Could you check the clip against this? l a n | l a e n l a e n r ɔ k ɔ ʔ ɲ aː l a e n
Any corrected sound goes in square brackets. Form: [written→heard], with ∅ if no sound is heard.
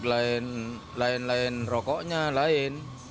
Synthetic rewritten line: l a n | l a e n l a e n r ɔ k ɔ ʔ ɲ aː l a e n